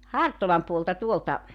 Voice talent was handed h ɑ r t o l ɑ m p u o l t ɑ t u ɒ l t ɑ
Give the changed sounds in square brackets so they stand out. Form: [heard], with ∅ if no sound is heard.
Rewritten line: h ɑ r t o l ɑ m p u o l t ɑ t u [o] l t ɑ